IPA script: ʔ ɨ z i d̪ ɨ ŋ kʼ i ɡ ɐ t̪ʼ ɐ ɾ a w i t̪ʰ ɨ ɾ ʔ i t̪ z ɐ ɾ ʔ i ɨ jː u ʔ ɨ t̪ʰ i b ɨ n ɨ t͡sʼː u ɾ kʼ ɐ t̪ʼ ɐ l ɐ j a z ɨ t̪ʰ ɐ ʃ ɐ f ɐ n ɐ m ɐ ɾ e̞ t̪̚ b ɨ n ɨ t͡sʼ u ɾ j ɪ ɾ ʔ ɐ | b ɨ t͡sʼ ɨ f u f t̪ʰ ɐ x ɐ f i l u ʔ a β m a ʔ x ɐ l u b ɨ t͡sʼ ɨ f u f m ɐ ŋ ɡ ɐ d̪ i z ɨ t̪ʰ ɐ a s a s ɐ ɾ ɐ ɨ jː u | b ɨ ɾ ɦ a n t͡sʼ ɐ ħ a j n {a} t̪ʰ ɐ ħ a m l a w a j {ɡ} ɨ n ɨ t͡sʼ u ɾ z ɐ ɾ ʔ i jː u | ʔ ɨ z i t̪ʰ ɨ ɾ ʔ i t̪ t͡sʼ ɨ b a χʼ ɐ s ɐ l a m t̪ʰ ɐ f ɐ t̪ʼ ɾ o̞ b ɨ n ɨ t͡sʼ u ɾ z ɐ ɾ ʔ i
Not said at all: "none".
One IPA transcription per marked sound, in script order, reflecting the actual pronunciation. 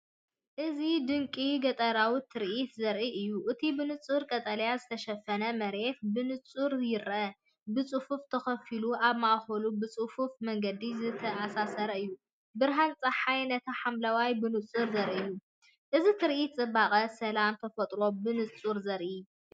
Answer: ɐ, b

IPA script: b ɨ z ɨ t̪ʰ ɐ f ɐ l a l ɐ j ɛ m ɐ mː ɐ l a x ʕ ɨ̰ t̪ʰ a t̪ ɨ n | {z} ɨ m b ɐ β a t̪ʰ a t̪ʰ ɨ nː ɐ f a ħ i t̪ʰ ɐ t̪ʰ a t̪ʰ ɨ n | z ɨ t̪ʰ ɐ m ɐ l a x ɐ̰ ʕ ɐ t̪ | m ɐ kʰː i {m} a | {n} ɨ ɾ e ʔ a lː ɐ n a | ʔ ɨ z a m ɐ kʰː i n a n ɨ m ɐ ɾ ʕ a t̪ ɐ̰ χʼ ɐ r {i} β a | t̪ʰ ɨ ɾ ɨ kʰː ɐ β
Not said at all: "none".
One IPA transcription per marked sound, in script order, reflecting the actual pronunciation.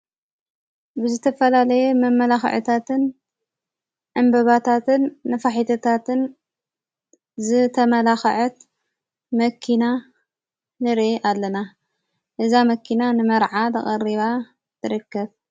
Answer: ʕ, n, n, i

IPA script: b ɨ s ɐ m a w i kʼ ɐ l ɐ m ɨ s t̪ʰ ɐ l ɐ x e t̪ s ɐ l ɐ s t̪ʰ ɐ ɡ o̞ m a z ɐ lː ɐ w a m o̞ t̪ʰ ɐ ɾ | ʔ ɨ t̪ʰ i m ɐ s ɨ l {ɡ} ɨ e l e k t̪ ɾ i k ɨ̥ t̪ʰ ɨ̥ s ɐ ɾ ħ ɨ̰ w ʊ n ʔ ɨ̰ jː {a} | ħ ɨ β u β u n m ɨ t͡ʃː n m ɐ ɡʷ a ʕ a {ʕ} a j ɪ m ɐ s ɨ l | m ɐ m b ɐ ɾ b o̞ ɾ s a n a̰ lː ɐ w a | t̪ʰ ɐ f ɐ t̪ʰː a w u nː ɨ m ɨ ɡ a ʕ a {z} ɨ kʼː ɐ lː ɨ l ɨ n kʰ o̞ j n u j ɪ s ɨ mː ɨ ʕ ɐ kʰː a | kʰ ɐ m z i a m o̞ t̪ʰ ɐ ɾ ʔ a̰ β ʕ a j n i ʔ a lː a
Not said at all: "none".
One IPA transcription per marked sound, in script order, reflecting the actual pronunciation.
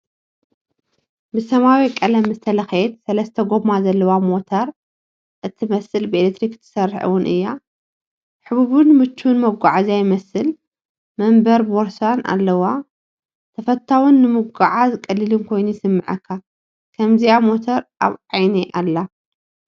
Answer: b, a, z, z

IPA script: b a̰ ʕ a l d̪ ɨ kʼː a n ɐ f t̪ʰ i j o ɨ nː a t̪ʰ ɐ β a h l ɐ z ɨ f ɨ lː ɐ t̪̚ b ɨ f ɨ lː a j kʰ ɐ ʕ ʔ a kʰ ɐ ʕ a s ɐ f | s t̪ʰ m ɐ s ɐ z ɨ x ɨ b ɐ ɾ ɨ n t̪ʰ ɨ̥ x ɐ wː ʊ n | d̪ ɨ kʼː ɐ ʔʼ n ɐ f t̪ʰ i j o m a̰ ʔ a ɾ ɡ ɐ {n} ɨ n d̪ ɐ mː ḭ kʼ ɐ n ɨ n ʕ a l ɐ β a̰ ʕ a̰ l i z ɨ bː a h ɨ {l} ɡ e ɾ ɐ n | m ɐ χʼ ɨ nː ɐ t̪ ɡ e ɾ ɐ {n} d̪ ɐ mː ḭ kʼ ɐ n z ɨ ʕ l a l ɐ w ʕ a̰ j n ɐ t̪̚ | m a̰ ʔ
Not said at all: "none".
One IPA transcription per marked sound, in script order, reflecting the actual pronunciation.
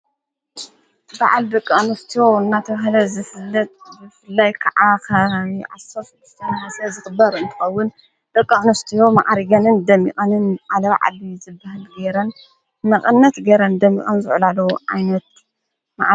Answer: n, l, n

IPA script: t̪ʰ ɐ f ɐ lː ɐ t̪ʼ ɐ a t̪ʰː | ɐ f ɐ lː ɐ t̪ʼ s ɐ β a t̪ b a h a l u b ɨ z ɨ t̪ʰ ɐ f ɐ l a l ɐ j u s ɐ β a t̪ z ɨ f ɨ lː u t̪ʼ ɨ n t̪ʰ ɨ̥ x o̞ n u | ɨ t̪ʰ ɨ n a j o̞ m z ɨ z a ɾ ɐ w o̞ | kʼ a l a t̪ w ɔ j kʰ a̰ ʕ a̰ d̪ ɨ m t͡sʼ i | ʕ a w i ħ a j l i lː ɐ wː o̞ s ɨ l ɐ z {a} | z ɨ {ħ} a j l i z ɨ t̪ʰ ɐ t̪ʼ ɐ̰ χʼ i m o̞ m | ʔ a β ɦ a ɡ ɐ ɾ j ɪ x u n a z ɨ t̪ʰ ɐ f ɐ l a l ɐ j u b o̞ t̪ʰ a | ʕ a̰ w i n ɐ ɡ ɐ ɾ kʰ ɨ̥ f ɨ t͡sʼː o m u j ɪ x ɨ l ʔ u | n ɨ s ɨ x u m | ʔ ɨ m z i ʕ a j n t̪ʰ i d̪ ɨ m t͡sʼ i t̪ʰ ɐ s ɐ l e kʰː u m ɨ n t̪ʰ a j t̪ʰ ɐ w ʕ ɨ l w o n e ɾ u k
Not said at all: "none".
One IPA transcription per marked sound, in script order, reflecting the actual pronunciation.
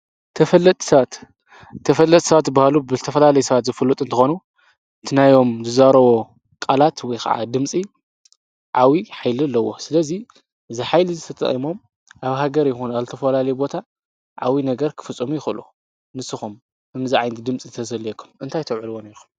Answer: i, ħ

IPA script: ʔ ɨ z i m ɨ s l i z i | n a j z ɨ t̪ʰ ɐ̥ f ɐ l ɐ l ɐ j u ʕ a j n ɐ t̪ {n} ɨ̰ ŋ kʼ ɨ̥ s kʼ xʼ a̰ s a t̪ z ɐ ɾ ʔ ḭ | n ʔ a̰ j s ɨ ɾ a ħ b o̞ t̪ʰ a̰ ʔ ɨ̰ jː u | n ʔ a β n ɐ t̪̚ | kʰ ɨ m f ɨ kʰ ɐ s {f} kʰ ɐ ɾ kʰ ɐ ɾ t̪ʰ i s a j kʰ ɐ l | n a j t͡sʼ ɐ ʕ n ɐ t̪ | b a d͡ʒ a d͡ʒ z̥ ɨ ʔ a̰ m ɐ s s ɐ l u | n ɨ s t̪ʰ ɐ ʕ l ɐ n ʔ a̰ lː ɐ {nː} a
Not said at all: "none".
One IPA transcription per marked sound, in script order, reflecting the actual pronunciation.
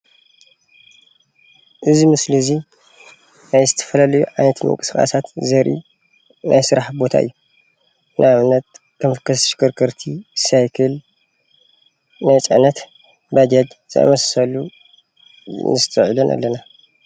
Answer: m, ʃ, n

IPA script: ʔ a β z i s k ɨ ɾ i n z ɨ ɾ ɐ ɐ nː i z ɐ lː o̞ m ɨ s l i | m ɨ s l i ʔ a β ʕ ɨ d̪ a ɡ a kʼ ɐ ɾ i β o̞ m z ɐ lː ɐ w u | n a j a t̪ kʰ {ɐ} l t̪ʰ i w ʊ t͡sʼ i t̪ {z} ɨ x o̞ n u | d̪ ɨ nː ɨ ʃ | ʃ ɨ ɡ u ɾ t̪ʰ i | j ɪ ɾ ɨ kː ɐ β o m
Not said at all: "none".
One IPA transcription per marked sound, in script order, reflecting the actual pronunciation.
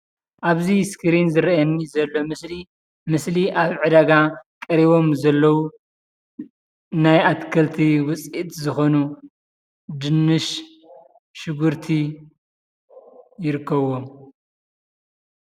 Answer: ɐ, z

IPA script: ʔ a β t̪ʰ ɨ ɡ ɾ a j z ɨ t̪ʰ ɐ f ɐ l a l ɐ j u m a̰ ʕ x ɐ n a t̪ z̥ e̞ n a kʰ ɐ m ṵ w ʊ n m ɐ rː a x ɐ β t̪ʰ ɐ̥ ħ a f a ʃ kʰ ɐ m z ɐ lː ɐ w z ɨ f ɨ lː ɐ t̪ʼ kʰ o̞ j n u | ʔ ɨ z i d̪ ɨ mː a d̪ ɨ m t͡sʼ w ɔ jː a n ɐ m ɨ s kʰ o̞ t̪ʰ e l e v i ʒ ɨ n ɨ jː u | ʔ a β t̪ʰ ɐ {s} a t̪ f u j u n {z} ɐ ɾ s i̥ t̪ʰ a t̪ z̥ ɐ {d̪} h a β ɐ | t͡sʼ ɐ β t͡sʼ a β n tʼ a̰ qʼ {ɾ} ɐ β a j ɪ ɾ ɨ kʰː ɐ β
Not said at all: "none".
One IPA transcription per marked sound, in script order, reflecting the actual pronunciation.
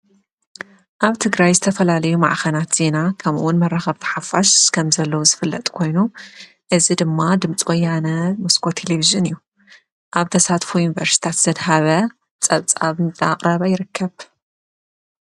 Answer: s, v, d̪, ɾ

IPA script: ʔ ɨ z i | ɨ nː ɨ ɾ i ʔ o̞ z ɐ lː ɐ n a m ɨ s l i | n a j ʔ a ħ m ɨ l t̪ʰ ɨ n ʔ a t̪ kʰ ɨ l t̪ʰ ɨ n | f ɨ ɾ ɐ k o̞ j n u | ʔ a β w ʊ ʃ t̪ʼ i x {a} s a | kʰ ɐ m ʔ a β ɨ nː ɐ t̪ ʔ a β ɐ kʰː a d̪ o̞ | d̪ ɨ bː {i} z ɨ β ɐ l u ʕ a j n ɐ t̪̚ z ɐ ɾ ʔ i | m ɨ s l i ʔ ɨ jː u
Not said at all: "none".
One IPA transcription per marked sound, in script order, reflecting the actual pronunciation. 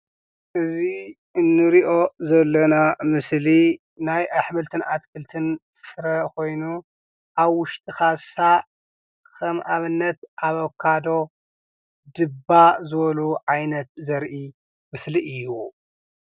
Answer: a, a

